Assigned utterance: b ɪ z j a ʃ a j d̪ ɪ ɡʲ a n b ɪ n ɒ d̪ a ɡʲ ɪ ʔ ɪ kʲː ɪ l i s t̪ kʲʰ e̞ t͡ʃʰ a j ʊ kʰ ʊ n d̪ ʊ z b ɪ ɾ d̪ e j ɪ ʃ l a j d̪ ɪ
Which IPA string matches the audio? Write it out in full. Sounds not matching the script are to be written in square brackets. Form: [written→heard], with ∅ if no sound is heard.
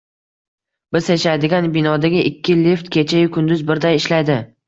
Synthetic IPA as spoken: b ɪ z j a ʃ a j d̪ ɪ ɡʲ a n b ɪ n ɒ d̪ a ɡʲ ɪ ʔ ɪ kʲː ɪ l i [s→f] t̪ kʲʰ e̞ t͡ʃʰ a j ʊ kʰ ʊ n d̪ ʊ z b ɪ ɾ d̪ [e→a] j ɪ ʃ l a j d̪ ɪ